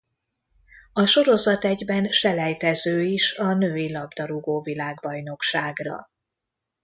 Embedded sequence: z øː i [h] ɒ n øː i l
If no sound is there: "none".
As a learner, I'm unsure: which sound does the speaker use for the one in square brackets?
ʃ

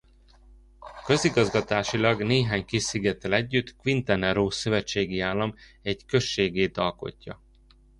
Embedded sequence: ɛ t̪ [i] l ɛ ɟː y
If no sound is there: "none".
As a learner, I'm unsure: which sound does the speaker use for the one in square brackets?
ɛ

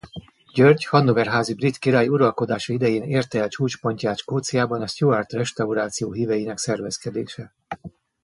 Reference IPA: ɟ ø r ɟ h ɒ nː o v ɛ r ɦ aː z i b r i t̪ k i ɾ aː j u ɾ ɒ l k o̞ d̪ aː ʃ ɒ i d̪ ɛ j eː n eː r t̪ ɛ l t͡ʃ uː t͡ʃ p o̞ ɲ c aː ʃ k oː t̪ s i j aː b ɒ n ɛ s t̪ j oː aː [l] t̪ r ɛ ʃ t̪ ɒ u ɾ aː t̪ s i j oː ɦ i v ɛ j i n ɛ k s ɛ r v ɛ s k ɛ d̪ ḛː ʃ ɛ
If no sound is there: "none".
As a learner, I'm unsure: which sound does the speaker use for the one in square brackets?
r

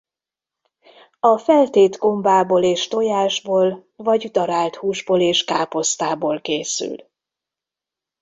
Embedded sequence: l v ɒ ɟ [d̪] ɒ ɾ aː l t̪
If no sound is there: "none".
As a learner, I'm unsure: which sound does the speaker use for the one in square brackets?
d̪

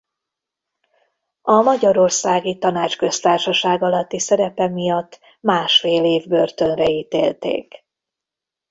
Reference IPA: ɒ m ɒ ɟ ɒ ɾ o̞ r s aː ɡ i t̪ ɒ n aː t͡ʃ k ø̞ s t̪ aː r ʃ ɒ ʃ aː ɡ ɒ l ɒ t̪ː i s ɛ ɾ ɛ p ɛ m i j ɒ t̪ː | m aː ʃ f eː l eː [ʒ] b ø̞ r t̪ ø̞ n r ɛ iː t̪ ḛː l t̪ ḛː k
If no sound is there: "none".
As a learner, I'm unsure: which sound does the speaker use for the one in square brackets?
v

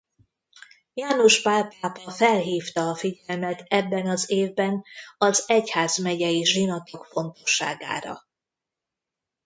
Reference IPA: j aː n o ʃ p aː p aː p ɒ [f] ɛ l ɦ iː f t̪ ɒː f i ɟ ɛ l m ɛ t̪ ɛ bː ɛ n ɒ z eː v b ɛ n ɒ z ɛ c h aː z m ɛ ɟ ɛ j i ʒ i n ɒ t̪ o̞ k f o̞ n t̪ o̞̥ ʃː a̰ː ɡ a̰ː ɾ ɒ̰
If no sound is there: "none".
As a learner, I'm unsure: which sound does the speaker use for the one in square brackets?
f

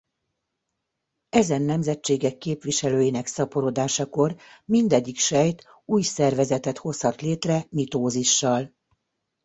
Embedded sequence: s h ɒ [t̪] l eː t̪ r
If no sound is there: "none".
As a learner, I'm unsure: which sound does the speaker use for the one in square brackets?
t̪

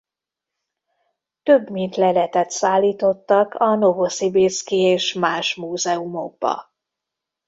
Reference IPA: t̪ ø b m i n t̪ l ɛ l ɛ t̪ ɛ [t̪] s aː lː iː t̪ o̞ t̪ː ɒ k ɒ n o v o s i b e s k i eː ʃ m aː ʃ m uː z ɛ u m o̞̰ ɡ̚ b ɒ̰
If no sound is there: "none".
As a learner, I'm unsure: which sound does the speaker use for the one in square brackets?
t̪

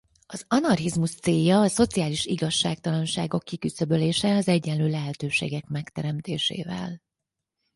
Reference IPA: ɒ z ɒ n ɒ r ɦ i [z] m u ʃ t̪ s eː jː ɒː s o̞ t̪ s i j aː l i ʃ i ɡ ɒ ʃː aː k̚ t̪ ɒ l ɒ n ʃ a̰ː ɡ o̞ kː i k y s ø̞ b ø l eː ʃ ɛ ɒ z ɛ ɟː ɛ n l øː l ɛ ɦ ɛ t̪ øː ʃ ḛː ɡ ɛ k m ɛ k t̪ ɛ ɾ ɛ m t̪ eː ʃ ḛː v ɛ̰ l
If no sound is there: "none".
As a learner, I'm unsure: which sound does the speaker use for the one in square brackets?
z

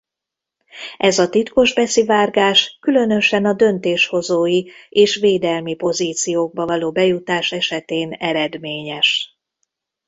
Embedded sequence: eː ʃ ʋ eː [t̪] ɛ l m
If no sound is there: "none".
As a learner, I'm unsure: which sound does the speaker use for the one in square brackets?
d̪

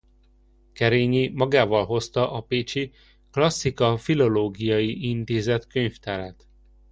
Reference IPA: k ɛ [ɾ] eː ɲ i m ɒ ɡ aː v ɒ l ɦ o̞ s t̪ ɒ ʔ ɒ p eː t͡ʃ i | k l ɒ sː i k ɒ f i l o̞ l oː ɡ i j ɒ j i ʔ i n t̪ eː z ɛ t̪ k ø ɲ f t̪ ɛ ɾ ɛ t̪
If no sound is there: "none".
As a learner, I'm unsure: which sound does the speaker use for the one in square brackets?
ɾ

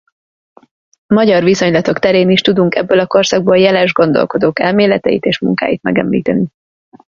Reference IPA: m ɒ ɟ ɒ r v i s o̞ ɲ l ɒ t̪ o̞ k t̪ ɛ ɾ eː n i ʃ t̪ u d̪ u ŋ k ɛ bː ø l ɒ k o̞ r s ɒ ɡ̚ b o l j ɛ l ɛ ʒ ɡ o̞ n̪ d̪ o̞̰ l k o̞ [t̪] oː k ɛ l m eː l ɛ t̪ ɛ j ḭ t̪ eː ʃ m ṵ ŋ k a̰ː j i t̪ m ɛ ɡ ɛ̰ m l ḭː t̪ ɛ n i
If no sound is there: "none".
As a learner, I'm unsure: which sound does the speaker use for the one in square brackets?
d̪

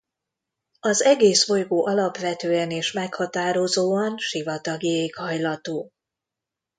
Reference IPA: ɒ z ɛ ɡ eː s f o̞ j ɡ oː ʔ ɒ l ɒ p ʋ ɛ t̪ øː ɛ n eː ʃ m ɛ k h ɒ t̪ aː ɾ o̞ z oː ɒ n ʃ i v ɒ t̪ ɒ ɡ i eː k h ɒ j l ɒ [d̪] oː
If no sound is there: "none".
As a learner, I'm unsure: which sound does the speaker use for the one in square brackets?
t̪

